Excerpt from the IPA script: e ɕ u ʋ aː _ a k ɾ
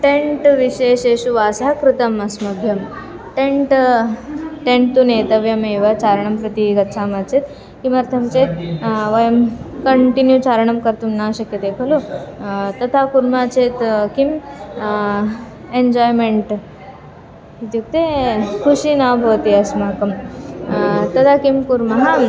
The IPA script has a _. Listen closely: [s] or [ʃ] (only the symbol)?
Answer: s